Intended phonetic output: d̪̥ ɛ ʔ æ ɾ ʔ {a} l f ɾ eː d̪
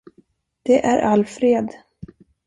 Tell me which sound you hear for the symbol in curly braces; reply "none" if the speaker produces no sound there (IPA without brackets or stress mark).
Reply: a